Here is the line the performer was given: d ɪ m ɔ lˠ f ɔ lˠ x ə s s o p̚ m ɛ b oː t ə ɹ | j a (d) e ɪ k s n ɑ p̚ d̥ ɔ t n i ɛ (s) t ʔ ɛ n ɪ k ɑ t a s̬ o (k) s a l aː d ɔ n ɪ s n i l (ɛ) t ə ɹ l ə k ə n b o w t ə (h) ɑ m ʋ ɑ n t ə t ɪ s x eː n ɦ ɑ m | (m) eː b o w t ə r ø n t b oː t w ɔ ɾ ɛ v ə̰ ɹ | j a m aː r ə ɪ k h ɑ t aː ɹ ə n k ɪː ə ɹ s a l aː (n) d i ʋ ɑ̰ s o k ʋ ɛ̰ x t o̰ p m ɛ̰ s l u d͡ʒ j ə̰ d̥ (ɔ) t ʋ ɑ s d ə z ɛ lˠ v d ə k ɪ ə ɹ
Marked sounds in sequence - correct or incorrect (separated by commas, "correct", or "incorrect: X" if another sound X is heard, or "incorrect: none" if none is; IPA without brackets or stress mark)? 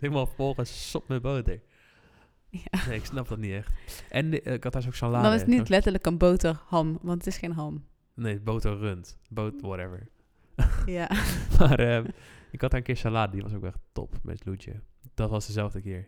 incorrect: n, incorrect: x, correct, correct, correct, incorrect: n, incorrect: d, correct